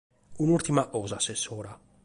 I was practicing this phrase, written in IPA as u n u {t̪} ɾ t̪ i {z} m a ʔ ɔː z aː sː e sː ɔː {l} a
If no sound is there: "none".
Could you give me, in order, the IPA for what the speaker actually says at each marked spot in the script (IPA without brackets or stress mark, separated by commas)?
none, none, ɾ